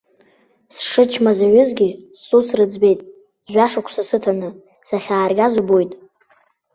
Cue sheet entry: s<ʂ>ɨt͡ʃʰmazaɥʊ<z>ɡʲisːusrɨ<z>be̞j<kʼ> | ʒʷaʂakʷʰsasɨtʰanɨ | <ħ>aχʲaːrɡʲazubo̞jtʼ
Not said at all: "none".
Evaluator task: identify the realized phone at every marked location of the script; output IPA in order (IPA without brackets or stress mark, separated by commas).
ʂ, z, d͡z, tʼ, s